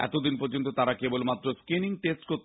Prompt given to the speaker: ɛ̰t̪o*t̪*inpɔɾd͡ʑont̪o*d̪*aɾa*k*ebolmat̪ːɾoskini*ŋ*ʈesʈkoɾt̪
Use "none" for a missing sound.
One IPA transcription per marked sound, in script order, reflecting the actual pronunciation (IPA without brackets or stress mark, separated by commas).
d̪, t̪, k, ŋ